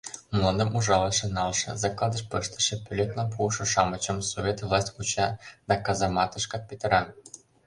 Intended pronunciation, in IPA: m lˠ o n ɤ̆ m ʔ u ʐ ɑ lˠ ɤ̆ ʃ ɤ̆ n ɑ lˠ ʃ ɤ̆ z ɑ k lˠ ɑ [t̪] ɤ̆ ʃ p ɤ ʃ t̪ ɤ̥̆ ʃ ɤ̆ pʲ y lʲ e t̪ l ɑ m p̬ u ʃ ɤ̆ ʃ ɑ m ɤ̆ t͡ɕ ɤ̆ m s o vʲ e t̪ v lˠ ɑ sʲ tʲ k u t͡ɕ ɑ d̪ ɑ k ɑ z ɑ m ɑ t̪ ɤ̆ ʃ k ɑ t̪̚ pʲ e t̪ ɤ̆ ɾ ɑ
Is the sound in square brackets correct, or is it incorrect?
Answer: incorrect: d̪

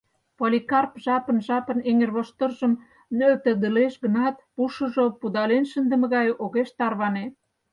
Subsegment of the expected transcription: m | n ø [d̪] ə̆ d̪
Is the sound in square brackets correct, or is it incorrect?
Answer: incorrect: t̪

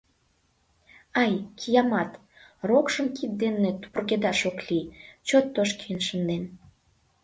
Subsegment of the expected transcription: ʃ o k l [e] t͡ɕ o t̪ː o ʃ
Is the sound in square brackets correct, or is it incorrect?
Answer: incorrect: i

